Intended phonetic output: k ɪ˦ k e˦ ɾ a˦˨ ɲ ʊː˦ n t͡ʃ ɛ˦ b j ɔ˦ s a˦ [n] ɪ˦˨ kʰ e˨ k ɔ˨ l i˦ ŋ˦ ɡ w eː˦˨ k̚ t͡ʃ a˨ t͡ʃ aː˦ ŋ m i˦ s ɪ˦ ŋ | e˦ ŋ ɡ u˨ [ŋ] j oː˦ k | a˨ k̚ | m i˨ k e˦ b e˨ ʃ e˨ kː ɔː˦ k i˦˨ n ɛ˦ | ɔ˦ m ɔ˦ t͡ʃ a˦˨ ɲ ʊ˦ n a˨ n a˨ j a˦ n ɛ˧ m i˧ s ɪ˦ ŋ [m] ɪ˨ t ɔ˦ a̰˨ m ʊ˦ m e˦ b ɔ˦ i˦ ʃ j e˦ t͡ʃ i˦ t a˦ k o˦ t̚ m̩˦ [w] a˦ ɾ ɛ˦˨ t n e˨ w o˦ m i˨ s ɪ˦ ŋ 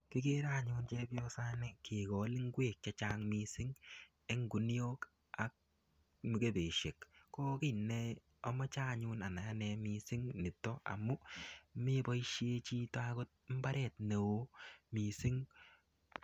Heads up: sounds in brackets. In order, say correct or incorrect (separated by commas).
correct, incorrect, incorrect, incorrect